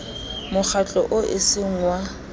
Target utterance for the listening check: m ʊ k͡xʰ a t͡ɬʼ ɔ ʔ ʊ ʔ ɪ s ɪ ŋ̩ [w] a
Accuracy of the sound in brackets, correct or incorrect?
correct